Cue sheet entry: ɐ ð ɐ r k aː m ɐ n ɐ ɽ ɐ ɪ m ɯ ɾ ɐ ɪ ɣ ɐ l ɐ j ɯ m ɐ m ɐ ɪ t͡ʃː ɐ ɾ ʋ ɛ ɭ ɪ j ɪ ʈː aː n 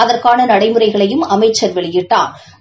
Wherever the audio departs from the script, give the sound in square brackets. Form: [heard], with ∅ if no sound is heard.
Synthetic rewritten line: ɐ ð ɐ r k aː [n] ɐ n ɐ ɽ ɐ ɪ m ɯ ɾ ɐ ɪ ɣ ɐ [ɭ] ɐ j ɯ m ɐ m ɐ ɪ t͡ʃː ɐ ɾ ʋ ɛ ɭ ɪ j ɪ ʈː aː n

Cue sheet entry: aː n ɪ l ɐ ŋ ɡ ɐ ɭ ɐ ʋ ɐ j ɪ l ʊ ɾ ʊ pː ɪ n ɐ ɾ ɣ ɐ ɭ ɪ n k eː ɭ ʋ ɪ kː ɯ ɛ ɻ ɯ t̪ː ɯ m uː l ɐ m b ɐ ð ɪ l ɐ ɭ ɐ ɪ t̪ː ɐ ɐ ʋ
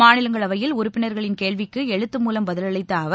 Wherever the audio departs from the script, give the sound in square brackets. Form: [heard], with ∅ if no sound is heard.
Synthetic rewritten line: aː n ɪ l ɐ ŋ ɡ ɐ ɭ ɐ ʋ ɐ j ɪ l ʊ ɾ ʊ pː ɪ n ɐ ɾ ɣ ɐ ɭ ɪ n k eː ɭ ʋ ɪ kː ɯ ɛ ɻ ɯ t̪ː ɯ m uː l ɐ m b ɐ ð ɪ l ɐ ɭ ɐ ɪ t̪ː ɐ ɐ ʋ

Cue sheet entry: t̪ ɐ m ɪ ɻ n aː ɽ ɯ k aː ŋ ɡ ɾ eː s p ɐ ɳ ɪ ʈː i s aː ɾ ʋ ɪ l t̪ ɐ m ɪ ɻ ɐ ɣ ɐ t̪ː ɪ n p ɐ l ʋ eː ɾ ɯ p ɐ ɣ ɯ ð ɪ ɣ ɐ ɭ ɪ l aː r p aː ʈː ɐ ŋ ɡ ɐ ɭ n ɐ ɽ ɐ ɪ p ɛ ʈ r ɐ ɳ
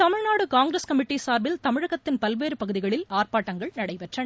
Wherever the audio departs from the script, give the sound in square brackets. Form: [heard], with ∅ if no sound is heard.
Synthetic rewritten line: t̪ ɐ m ɪ ɻ n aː ɽ ɯ k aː ŋ ɡ ɾ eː s [k] ɐ [m] ɪ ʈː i s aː ɾ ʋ ɪ l t̪ ɐ m ɪ ɻ ɐ ɣ ɐ t̪ː ɪ n p ɐ l ʋ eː ɾ ɯ p ɐ ɣ ɯ ð ɪ ɣ ɐ ɭ ɪ l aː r p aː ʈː ɐ ŋ ɡ ɐ ɭ n ɐ ɽ ɐ ɪ p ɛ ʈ r ɐ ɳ

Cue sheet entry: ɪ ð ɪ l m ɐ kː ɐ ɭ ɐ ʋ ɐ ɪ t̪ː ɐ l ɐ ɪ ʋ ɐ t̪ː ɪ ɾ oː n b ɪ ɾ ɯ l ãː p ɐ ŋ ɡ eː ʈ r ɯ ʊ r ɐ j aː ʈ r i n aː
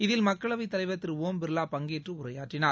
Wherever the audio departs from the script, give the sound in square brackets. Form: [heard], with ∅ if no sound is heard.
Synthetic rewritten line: ɪ ð ɪ l m ɐ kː ɐ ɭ ɐ ʋ ɐ ɪ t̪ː ɐ l ɐ ɪ ʋ ɐ t̪ː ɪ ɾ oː [m] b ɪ ɾ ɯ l [aː] p ɐ ŋ ɡ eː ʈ r ɯ ʊ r ɐ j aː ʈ r [ɪ] n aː

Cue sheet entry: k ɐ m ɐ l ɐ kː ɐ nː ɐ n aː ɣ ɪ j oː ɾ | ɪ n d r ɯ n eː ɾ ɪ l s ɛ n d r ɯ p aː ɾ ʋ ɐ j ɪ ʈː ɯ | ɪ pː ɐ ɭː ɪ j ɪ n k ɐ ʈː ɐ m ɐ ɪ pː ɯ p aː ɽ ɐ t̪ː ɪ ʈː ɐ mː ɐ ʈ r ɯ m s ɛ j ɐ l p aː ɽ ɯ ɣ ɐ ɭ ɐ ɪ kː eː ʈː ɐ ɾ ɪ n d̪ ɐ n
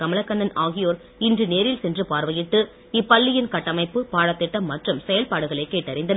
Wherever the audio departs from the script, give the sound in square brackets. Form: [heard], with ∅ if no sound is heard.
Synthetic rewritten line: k ɐ m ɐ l ɐ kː ɐ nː ɐ n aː ɣ ɪ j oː ɾ | ɪ n d r ɯ n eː ɾ ɪ l s ɛ n d r ɯ p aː ɾ ʋ ɐ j ɪ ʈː ɯ | ɪ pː ɐ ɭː ɪ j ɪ n k ɐ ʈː ɐ m ɐ ɪ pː ɯ p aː ɽ ɐ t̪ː ɪ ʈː ɐ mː ɐ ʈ r ɯ m s ɛ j ɐ l p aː ɽ ɯ ɣ ɐ ɭ ɐ ɪ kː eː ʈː ɐ ɾ ɪ n d̪ ɐ n

